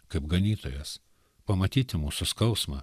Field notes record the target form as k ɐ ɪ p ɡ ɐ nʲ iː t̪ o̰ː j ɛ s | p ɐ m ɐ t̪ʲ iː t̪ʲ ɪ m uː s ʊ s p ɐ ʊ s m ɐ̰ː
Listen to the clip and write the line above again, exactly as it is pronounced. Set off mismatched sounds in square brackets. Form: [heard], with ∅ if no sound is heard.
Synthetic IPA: k ɐ ɪ p ɡ ɐ nʲ iː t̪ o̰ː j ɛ s | p ɐ m ɐ t̪ʲ iː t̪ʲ ɪ m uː s ʊ s [k] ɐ ʊ s m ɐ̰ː